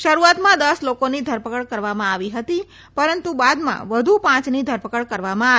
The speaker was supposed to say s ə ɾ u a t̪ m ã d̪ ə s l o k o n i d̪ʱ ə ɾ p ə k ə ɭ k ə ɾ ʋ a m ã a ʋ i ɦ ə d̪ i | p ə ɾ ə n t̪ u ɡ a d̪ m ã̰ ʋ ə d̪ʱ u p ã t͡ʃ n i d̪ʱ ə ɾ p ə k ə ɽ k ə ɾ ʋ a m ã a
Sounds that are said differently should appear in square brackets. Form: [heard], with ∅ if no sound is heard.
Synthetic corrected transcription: [ʃ] ə ɾ u a t̪ m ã d̪ ə s l o k o n i d̪ʱ ə ɾ p ə k ə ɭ k ə ɾ ʋ a m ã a ʋ i ɦ ə [t̪] i | p ə ɾ ə n t̪ u [b] a d̪ m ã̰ ʋ ə d̪ʱ u p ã t͡ʃ n i d̪ʱ ə ɾ p ə k ə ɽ k ə ɾ ʋ a m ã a

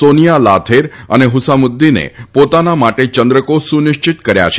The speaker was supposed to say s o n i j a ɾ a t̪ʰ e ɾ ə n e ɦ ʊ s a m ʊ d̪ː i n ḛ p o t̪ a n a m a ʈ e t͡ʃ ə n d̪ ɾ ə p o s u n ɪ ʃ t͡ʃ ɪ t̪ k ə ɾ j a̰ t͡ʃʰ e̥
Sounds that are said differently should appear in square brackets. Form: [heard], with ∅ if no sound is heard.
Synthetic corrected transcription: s o n i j a [l] a t̪ʰ e ɾ ə n e ɦ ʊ s a m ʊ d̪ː i n ḛ p o t̪ a n a m a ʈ e t͡ʃ ə n d̪ ɾ ə [k] o s u n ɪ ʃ t͡ʃ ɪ t̪ k ə ɾ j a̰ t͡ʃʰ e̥

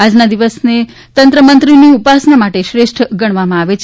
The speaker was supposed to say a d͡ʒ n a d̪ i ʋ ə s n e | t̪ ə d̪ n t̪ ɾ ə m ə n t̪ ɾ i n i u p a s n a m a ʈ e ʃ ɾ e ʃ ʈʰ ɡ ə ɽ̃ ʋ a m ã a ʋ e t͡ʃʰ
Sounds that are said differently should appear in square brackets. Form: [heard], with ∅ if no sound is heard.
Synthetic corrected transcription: a d͡ʒ n a d̪ i ʋ ə s n e | t̪ ə [∅] n t̪ ɾ ə m ə n t̪ ɾ i n i u p a s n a m a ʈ e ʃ ɾ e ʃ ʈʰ ɡ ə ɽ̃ ʋ a m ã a ʋ e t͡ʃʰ

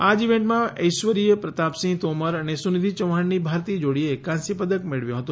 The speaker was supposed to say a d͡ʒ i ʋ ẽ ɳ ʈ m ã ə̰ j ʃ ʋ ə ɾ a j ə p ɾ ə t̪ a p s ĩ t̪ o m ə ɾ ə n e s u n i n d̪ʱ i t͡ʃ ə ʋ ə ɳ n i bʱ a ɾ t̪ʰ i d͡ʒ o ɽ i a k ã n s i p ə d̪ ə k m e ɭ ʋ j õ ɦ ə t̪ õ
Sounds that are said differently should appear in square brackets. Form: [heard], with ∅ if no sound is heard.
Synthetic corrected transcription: a d͡ʒ i ʋ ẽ ɳ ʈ m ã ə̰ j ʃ ʋ ə ɾ [i] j ə p ɾ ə t̪ a p s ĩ t̪ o m ə ɾ ə n e s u n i [∅] d̪ʱ i t͡ʃ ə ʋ [a] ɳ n i bʱ a ɾ [t̪] i d͡ʒ o ɽ i [e] k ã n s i p ə d̪ ə k m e ɭ ʋ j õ ɦ ə t̪ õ

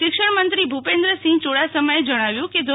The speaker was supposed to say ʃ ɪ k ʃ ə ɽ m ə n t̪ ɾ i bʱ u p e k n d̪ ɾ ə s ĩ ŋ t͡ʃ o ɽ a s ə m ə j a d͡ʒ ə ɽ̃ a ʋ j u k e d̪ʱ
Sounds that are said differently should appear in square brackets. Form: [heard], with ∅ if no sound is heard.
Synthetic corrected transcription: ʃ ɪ k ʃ ə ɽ m ə n t̪ ɾ i bʱ u p e [∅] n d̪ ɾ ə s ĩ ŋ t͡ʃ o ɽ a s ə m ə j [e] d͡ʒ ə ɽ̃ a ʋ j [ũ] k e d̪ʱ

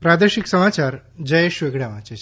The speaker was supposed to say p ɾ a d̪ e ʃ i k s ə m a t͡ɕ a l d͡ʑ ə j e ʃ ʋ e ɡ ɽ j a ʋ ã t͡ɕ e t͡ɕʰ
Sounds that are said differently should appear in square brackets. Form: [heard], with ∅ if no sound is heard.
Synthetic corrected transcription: p ɾ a d̪ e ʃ i k s ə m a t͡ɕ a [ɾ] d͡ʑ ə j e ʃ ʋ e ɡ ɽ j a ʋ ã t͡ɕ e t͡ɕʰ

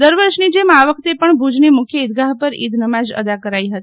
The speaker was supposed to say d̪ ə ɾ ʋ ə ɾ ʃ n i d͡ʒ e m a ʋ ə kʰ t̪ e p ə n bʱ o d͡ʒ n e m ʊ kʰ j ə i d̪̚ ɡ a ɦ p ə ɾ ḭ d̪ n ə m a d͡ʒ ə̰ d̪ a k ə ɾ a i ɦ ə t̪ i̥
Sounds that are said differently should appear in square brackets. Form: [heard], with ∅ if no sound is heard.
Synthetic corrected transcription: d̪ ə ɾ ʋ ə ɾ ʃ n i d͡ʒ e m a ʋ ə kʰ t̪ e p ə [ɳ] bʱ [u] d͡ʒ n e m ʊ kʰ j ə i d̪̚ ɡ a ɦ p ə ɾ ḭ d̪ n ə m a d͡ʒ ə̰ d̪ a k ə ɾ a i ɦ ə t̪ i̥

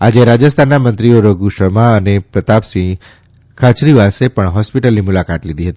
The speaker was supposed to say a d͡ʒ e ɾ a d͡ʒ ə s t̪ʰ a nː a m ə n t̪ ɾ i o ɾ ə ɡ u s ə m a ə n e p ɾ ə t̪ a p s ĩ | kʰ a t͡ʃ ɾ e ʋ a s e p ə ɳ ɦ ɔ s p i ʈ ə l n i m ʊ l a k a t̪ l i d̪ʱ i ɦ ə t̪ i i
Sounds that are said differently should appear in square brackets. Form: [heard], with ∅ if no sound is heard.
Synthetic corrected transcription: a d͡ʒ e ɾ a d͡ʒ ə s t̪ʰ a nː a m ə n t̪ ɾ i o ɾ ə ɡ u [ʃ] ə m a ə n e p ɾ ə t̪ a p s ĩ | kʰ a t͡ʃ ɾ [i] ʋ a s e p ə ɳ ɦ ɔ s p i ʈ ə l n i m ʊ l a k a t̪ l i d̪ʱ i ɦ ə t̪ i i

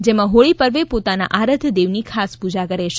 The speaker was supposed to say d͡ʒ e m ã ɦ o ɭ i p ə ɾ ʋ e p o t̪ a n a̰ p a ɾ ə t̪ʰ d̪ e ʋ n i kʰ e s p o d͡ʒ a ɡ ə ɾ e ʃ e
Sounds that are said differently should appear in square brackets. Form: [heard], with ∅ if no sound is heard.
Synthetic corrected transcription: d͡ʒ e m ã ɦ o ɭ i p ə ɾ ʋ e p o t̪ a n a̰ [ʔ] a ɾ ə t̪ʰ d̪ e ʋ n i kʰ [a] s p [u] d͡ʒ a [k] ə ɾ e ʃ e

